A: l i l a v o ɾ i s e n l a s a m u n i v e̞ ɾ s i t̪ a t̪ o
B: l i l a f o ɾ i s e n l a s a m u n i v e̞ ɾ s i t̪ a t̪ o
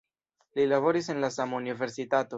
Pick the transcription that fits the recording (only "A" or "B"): A